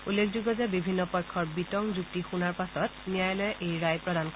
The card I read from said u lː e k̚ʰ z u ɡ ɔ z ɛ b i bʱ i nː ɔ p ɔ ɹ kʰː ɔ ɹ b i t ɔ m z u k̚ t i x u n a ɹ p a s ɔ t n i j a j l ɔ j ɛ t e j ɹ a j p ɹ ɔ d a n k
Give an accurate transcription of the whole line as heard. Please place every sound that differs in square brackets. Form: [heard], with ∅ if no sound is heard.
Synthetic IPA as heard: u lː e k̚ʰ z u ɡ ɔ z ɛ b i bʱ i nː ɔ p ɔ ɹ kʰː ɔ ɹ b i t ɔ [ŋ] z u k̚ t i x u n a ɹ p a s ɔ t n i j a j l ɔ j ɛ [ʔ] e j ɹ a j p ɹ ɔ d a n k